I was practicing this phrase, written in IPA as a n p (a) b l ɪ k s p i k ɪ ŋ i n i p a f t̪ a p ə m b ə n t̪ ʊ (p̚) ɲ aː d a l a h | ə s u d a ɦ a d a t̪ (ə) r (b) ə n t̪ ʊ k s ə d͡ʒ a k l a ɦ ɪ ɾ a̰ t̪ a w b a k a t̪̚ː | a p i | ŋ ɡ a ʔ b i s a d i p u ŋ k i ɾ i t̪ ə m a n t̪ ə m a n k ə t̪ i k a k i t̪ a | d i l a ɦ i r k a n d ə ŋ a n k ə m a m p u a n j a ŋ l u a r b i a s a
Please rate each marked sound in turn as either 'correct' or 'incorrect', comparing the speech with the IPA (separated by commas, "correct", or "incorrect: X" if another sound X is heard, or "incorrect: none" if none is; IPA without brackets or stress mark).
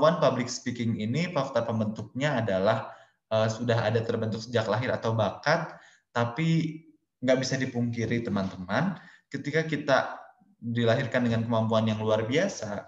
correct, incorrect: k̚, correct, correct